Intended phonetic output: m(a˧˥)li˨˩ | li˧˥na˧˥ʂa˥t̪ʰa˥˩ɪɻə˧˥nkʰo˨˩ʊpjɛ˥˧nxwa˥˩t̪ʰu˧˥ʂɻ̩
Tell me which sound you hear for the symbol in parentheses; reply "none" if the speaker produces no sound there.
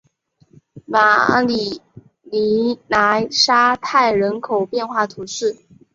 a˨˩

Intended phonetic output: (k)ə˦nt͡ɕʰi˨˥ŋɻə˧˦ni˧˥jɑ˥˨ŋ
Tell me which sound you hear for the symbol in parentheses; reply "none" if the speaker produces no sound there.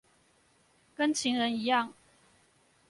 k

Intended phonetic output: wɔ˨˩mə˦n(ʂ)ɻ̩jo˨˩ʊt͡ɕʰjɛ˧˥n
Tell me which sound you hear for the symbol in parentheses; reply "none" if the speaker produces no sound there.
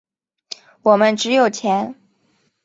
ʈ͡ʂ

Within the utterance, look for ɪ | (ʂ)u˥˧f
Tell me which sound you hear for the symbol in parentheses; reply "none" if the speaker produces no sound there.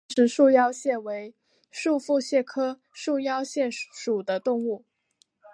ʂ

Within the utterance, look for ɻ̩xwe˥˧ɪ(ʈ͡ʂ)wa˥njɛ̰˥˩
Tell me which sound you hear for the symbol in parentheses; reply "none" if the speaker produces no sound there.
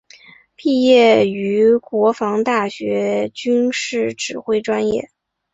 ʈ͡ʂ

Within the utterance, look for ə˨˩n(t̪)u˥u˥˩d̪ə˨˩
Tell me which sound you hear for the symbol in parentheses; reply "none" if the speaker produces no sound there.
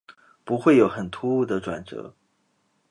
t̪ʰ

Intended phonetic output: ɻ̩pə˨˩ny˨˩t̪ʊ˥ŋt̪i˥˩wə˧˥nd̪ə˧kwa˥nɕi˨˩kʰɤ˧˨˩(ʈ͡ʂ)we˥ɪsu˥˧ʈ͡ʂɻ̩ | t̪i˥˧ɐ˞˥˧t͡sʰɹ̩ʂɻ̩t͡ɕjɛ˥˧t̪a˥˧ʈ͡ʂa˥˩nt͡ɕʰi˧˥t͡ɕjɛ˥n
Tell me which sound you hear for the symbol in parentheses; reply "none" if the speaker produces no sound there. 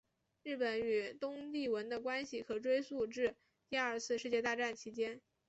ʈ͡ʂ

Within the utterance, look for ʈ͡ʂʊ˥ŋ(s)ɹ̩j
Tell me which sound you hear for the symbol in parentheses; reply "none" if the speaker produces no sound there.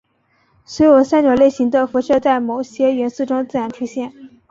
t͡s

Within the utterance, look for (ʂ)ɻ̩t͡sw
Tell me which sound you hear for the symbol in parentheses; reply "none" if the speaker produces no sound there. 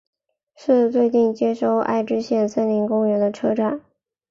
ʂ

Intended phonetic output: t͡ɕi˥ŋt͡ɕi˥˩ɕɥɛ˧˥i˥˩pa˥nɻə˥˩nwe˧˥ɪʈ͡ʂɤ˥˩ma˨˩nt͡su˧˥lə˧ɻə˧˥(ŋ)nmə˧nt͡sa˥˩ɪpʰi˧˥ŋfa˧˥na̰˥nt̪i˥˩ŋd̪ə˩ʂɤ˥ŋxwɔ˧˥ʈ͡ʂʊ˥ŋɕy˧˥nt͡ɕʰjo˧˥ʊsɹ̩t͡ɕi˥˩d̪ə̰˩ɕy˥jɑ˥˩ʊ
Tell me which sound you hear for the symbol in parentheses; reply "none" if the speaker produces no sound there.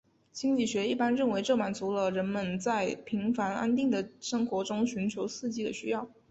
none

